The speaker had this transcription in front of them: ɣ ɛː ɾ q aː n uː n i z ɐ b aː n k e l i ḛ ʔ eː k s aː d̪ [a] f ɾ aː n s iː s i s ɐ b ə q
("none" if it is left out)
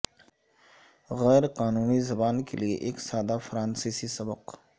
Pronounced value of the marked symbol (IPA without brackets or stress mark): a